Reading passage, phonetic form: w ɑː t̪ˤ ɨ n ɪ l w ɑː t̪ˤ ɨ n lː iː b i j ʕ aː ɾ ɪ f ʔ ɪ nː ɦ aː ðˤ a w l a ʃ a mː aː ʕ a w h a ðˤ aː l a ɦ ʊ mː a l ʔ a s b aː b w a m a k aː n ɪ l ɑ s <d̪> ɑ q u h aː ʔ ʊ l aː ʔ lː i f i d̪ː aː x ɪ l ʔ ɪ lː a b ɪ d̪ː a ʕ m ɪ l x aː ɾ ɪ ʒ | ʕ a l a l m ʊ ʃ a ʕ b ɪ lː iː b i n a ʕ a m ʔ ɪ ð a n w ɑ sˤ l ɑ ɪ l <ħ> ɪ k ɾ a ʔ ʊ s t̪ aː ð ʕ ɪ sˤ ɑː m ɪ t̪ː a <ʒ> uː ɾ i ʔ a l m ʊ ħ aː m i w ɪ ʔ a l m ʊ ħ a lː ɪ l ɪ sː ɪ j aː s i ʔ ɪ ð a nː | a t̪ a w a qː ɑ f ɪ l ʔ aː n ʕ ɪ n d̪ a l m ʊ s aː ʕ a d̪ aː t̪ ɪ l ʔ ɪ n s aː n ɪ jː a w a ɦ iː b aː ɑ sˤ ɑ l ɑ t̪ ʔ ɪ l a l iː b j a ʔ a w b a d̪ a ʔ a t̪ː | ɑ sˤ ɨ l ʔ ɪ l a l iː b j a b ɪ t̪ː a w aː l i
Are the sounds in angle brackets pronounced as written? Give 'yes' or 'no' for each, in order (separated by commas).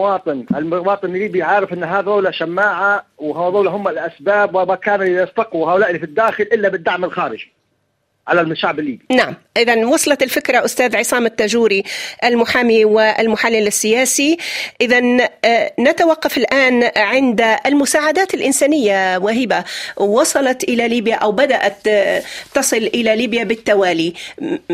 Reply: no, no, yes